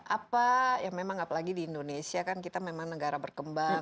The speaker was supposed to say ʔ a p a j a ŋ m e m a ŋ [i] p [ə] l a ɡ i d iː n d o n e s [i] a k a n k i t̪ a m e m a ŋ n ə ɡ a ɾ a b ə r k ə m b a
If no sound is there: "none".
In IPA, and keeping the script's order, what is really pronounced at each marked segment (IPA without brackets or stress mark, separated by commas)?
a, a, i